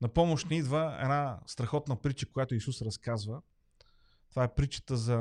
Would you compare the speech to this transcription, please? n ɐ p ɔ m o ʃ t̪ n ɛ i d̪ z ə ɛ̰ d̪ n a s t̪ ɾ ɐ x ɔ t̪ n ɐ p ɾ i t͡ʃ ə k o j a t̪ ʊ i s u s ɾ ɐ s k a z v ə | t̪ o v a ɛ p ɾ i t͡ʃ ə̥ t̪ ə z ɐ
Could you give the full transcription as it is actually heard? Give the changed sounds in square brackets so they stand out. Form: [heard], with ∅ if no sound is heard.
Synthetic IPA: n ɐ p ɔ m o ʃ t̪ n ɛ i d̪ [v] ə ɛ̰ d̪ n a s t̪ ɾ ɐ x ɔ t̪ n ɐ p ɾ i t͡ʃ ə k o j a t̪ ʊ i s u s ɾ ɐ s k a z v ə | t̪ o v a ɛ p ɾ i t͡ʃ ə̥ t̪ ə z ɐ